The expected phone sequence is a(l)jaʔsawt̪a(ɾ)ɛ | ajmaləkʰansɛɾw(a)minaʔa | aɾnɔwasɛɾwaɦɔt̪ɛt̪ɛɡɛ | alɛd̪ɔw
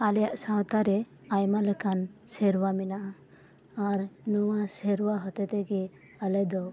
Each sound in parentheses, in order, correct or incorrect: correct, correct, correct

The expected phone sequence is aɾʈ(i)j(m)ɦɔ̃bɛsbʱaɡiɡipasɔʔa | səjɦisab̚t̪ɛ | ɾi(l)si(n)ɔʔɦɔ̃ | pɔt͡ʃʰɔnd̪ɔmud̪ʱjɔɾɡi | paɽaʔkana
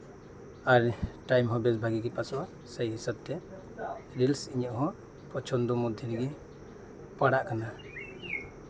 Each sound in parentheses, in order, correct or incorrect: incorrect: a, correct, correct, incorrect: ɲ

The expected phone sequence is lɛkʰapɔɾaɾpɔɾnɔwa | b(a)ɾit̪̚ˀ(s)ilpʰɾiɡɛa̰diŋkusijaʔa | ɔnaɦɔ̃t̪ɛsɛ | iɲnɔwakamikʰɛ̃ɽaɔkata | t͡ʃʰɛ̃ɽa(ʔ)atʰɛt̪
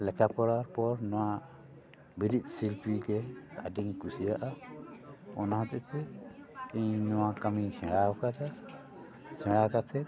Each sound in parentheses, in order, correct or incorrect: incorrect: i, correct, incorrect: k

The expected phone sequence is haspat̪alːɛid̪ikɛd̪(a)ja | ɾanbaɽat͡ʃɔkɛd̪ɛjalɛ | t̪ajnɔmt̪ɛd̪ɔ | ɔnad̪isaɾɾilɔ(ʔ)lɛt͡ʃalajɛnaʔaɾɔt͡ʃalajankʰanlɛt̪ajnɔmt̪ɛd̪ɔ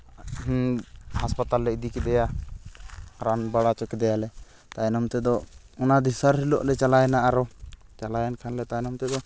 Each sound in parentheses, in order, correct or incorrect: incorrect: ɛ, correct

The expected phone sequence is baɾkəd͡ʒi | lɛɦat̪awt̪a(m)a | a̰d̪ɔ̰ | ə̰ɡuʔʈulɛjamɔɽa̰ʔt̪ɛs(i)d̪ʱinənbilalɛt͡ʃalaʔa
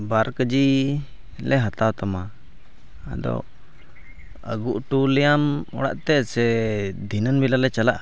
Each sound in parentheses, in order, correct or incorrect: correct, incorrect: ɛ

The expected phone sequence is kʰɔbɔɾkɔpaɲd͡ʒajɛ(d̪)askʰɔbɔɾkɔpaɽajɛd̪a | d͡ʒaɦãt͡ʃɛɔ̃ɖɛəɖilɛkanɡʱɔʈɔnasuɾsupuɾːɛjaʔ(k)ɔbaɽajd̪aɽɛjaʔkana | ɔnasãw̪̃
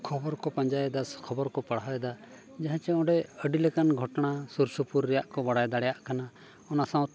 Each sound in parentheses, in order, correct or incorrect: correct, correct

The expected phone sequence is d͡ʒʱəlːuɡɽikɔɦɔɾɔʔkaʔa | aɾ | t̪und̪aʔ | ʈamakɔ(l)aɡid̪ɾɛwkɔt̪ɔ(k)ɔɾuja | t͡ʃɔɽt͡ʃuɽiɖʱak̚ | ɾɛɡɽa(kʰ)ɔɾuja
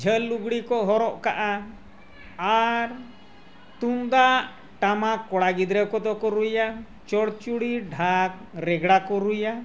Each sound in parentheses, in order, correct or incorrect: incorrect: ɽ, correct, incorrect: k

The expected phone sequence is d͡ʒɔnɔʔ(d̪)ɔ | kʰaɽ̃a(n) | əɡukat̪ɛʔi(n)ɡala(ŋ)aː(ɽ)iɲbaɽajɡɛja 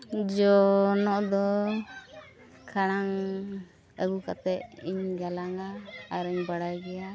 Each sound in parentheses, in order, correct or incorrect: correct, incorrect: ŋ, incorrect: ɲ, correct, incorrect: ɾ

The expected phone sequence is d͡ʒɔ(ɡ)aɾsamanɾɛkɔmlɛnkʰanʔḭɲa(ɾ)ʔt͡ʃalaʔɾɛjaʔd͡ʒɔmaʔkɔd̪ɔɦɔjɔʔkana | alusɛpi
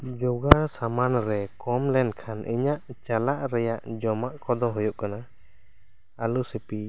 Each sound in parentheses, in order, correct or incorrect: correct, incorrect: none

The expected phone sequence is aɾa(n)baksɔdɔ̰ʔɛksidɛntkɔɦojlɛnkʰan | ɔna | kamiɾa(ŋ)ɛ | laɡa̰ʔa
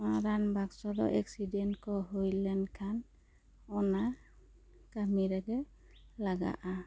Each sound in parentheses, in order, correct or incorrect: correct, incorrect: ɡ

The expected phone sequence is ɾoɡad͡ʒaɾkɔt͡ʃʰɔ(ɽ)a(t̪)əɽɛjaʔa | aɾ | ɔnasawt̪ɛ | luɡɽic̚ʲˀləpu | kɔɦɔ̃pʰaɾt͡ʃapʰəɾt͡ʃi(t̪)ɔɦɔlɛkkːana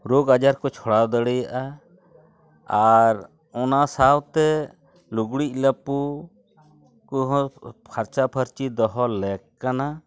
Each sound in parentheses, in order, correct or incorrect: correct, incorrect: d̪, incorrect: d̪

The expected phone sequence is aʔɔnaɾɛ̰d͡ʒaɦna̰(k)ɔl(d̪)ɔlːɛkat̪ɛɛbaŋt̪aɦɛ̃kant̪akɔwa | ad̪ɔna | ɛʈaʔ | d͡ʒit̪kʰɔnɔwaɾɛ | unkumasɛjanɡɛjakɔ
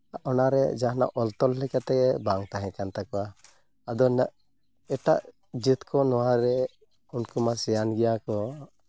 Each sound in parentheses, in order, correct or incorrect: incorrect: ʔ, incorrect: t̪

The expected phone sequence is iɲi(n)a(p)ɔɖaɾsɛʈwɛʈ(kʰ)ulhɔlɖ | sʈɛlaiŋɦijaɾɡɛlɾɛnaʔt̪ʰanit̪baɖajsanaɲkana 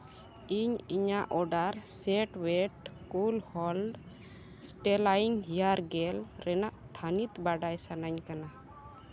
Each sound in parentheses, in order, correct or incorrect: incorrect: ɲ, incorrect: ʔ, incorrect: k

